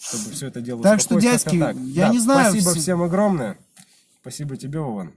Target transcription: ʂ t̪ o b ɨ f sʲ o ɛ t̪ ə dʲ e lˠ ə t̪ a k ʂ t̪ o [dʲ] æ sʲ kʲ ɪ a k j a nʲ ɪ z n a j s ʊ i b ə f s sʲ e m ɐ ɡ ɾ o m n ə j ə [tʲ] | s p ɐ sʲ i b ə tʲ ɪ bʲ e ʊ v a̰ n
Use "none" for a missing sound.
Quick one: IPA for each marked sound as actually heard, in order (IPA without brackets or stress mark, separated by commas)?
dʲ, none